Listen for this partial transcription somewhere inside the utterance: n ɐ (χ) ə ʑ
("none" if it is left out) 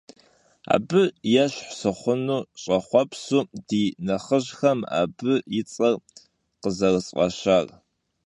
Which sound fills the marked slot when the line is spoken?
χ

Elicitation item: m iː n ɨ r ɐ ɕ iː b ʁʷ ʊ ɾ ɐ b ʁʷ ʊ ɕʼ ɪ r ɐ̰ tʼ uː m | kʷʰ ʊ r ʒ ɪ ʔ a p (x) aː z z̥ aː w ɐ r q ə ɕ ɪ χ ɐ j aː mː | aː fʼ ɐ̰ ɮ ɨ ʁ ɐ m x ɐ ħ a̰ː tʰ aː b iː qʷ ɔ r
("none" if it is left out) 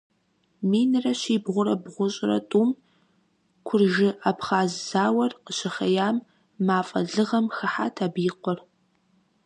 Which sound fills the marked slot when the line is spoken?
χ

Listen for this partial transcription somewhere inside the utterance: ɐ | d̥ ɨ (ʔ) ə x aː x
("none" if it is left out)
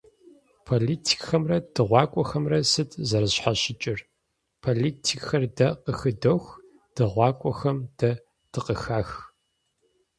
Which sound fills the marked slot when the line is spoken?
q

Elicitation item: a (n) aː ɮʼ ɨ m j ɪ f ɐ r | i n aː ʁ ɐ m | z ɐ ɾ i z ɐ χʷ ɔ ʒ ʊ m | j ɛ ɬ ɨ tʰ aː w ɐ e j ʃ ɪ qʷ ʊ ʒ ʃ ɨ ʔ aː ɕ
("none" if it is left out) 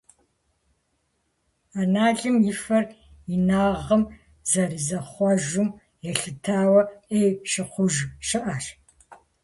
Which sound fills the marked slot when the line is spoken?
n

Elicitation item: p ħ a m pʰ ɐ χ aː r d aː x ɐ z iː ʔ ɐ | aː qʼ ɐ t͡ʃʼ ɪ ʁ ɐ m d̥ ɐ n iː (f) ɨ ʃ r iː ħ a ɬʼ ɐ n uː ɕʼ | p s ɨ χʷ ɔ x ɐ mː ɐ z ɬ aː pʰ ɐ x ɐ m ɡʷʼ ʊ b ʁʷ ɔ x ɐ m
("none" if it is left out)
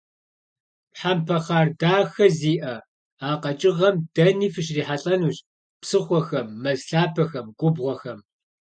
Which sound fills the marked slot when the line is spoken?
f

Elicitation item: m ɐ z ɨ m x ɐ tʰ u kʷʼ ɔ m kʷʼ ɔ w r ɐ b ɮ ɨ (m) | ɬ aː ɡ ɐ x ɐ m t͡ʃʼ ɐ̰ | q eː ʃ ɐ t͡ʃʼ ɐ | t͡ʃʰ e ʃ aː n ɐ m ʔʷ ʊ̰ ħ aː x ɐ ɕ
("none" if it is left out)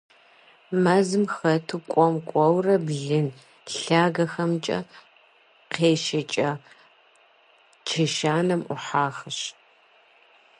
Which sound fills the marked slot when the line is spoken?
n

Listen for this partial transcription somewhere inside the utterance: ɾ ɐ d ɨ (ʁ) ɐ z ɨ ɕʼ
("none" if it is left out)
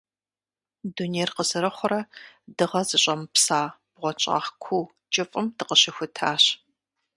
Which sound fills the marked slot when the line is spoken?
ʁ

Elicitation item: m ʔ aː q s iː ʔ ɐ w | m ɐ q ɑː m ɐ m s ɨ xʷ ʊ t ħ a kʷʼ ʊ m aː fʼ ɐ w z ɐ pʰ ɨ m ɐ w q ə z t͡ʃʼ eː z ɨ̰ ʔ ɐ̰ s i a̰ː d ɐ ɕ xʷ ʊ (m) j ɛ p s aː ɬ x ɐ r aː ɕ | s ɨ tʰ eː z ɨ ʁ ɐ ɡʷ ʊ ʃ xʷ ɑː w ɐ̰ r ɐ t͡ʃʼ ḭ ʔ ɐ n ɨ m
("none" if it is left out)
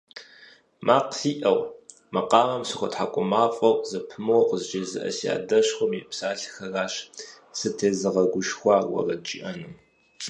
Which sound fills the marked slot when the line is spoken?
m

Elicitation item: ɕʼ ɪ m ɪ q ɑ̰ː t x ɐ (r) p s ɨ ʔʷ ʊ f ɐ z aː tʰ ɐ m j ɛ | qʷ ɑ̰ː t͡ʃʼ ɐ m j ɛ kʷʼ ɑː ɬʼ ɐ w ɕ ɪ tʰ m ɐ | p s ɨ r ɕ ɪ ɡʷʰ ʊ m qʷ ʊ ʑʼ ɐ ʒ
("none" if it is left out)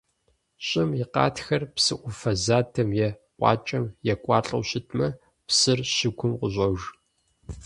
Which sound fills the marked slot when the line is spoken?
r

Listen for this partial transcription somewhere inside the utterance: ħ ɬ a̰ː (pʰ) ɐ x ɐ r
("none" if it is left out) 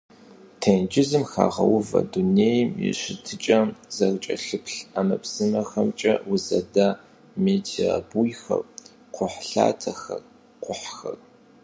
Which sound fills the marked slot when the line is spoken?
tʰ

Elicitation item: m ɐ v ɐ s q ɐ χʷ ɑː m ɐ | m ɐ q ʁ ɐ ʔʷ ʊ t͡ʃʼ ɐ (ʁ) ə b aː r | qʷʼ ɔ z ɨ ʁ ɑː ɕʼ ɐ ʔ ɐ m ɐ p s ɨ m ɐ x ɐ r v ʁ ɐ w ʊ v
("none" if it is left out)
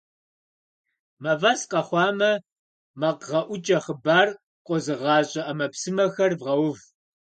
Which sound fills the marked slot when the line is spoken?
χ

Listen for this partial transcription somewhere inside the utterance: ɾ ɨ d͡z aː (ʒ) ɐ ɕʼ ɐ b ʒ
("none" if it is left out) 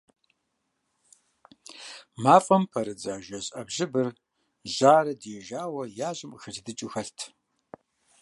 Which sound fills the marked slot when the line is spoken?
ʒ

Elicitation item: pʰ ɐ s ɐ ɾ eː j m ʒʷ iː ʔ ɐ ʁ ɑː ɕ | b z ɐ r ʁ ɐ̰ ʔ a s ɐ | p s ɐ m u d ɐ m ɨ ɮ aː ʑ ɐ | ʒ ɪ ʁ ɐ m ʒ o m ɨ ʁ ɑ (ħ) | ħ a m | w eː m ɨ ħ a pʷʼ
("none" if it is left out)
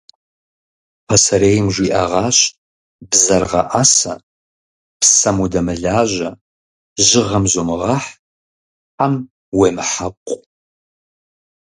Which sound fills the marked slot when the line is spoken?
ħ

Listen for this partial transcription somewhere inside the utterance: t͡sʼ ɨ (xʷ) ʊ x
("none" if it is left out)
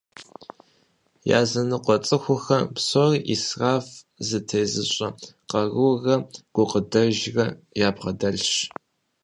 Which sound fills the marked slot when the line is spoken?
xʷ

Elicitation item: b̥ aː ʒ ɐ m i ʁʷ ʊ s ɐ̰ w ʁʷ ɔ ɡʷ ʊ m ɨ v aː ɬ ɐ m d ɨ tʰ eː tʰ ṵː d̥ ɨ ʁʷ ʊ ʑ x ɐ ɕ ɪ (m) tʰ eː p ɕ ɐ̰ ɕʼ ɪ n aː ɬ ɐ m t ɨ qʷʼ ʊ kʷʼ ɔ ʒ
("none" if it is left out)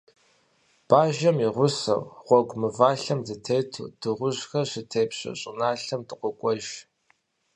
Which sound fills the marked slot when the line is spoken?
none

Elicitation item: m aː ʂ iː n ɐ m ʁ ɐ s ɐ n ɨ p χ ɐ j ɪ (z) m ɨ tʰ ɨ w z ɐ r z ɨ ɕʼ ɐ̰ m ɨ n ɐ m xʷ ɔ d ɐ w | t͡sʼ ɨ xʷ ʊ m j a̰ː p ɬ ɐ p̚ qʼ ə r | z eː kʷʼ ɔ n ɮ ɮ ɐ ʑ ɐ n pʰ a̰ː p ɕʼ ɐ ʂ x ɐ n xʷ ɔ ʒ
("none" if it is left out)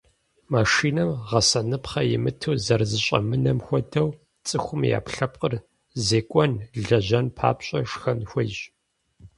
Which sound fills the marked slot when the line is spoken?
none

